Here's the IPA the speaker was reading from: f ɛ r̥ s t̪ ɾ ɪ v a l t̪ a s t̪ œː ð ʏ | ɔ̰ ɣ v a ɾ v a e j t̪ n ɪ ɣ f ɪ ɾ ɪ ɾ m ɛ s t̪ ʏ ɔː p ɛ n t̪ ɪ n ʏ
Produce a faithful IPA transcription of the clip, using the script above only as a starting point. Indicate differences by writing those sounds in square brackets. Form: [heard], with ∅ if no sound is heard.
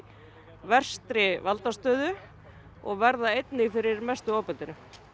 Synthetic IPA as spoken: [v] ɛ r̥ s t̪ ɾ ɪ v a l t̪ a s t̪ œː ð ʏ | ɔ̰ ɣ v [ɛ] ɾ [ð] a e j t̪ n ɪ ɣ f ɪ ɾ ɪ ɾ m ɛ s t̪ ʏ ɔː p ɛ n t̪ ɪ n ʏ